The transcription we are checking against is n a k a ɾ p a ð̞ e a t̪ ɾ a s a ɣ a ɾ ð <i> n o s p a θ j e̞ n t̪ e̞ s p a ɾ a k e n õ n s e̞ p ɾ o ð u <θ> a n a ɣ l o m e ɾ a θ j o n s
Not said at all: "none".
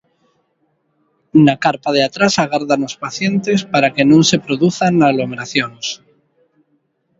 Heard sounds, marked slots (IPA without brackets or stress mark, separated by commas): a, θ